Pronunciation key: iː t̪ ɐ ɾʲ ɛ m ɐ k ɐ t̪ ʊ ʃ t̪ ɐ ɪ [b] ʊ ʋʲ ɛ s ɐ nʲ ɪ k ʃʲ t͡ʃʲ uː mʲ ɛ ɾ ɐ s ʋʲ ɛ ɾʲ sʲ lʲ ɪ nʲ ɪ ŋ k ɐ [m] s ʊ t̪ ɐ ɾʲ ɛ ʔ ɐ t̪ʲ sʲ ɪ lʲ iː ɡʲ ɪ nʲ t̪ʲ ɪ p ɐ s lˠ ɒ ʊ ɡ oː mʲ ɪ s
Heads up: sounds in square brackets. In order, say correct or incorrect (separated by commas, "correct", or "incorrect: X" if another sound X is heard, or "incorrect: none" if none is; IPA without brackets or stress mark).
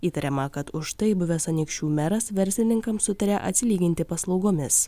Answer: correct, correct